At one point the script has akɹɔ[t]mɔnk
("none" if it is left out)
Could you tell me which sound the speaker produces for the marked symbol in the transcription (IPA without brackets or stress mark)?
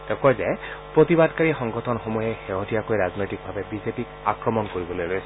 none